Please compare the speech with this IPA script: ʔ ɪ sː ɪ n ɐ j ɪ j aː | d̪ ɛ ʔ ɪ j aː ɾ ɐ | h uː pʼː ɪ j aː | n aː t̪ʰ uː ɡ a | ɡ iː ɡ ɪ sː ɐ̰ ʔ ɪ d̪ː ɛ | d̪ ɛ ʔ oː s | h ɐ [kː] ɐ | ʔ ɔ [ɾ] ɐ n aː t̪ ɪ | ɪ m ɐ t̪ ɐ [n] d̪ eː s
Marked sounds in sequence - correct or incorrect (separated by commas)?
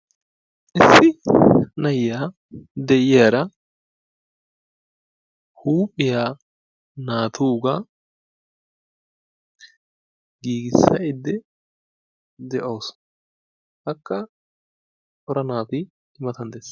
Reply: correct, correct, correct